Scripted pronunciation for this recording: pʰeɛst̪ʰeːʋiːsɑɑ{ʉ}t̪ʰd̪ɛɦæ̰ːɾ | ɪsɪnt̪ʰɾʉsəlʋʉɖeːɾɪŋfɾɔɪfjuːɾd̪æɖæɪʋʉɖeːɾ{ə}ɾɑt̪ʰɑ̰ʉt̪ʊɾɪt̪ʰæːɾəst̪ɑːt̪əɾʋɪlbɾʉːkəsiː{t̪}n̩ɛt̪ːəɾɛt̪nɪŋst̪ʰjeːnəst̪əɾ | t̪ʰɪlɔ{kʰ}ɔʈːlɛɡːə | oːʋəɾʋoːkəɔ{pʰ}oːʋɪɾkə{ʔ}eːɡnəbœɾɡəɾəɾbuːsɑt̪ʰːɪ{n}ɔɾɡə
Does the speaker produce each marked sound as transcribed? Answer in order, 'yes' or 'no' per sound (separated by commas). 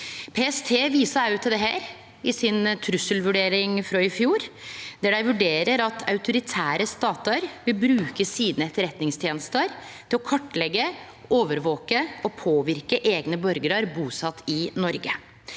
yes, yes, no, yes, yes, yes, yes